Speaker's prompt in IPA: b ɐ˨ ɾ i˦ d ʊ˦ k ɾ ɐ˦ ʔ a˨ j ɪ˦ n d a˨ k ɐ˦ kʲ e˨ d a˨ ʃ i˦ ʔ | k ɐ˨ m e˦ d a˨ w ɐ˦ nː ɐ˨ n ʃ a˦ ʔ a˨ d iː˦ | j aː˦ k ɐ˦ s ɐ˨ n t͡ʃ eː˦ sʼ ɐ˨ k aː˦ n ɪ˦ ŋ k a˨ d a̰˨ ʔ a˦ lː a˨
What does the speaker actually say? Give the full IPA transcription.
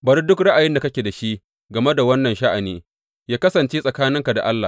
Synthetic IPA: b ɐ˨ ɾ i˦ d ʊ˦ k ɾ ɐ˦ ʔ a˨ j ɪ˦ n d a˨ k ɐ˦ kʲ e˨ d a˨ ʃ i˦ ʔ | ɡ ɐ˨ m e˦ d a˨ w ɐ˦ nː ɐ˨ n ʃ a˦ ʔ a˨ n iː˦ | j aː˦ k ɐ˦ s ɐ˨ n t͡ʃ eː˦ sʼ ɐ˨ k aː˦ n ɪ˦ ŋ k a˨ d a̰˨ ʔ a˦ lː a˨